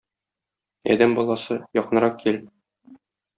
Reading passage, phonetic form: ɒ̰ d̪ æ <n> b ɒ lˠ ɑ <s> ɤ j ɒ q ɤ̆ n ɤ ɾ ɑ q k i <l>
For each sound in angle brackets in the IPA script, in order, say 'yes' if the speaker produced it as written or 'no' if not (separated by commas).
no, yes, yes